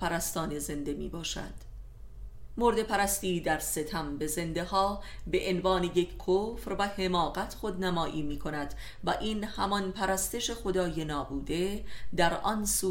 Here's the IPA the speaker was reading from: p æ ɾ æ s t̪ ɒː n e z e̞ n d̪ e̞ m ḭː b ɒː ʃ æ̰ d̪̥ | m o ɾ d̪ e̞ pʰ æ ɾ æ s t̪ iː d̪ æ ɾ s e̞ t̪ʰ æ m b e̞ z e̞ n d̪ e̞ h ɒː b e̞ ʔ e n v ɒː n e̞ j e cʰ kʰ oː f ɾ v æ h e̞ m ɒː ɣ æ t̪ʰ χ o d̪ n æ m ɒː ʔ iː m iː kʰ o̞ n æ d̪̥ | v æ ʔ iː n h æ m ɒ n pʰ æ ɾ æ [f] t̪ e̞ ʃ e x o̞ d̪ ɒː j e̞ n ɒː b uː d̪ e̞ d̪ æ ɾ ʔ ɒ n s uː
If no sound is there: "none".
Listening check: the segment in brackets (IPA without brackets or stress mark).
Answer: s